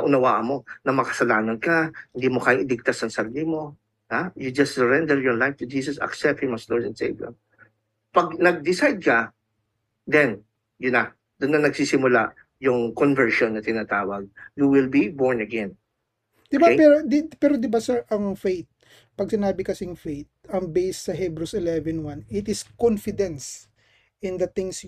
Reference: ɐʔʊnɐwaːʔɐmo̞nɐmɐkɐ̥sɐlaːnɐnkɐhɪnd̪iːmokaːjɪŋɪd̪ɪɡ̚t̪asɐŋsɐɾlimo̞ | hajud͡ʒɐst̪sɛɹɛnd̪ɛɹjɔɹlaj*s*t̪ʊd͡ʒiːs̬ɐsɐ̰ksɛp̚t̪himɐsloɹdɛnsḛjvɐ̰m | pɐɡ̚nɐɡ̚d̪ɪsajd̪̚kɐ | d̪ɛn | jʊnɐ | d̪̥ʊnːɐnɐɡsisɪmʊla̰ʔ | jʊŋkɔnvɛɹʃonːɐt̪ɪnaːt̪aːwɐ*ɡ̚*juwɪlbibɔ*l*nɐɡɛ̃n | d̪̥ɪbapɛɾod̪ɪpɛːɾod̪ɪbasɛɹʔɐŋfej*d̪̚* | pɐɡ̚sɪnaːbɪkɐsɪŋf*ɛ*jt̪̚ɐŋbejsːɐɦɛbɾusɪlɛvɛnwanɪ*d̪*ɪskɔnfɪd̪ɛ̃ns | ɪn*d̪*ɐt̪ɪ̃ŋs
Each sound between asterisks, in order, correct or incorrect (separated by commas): incorrect, correct, incorrect, incorrect, incorrect, incorrect, correct